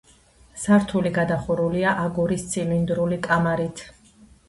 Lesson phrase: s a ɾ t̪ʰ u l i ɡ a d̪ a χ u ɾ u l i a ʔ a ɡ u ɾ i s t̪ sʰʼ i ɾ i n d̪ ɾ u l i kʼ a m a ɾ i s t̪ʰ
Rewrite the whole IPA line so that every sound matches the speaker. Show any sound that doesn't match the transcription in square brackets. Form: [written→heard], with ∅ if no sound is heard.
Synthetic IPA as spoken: s a ɾ t̪ʰ u l i ɡ a d̪ a χ u ɾ u l i a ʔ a ɡ u ɾ i s t̪ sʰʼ i [ɾ→l] i n d̪ ɾ u l i kʼ a m a ɾ i [s→∅] t̪ʰ